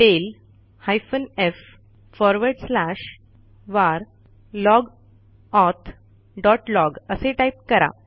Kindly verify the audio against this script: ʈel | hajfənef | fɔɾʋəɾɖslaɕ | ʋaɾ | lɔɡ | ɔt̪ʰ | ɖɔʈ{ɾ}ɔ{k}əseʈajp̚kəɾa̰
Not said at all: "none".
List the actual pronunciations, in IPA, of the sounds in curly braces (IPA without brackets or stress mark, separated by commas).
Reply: l, ɡ